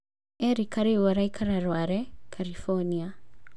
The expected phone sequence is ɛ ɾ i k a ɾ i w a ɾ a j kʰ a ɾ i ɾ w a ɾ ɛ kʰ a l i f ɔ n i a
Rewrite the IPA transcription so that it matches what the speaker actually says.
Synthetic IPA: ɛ ɾ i k a ɾ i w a ɾ a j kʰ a ɾ a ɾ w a ɾ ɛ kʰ a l i f ɔ n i a